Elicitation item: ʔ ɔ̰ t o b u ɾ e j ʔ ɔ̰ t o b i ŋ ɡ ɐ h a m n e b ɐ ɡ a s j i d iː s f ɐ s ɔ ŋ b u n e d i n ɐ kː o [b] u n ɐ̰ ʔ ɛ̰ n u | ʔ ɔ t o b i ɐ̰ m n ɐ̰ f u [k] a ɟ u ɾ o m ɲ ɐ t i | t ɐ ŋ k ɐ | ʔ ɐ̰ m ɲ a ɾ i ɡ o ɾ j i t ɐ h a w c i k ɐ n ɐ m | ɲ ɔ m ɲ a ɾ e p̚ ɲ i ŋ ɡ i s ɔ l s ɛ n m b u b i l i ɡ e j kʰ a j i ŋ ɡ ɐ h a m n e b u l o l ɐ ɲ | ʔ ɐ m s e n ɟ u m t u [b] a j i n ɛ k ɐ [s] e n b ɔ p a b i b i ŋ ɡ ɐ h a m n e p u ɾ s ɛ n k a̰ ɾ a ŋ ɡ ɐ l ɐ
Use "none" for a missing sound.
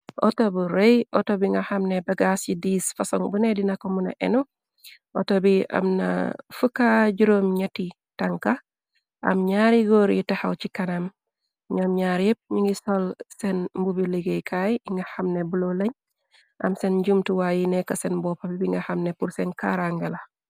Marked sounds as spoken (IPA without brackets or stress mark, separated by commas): m, k, w, s